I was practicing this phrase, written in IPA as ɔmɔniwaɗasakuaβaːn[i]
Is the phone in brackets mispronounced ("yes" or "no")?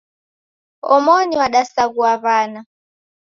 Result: yes